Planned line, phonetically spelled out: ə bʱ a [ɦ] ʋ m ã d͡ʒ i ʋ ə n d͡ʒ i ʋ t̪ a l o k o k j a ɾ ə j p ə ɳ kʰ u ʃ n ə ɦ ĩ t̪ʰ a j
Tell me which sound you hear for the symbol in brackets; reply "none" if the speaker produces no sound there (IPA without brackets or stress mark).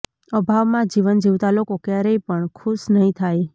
none